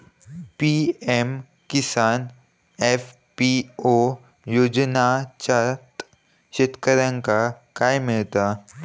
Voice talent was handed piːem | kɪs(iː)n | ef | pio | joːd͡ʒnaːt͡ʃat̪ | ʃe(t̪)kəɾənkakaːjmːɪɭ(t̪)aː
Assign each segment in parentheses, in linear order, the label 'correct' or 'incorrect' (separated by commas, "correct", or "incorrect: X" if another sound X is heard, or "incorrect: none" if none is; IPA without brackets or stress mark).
incorrect: aː, correct, correct